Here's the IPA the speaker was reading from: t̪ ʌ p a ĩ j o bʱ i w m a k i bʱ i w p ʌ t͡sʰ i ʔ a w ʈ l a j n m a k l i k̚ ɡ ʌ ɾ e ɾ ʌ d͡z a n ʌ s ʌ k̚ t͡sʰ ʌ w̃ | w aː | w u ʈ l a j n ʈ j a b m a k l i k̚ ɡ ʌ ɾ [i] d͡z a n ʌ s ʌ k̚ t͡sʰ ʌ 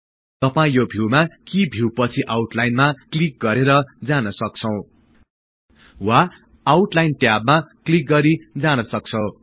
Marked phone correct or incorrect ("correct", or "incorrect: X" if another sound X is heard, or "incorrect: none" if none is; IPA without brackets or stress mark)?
correct